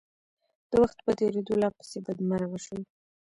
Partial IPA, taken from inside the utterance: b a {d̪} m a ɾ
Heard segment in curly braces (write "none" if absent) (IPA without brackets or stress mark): d̪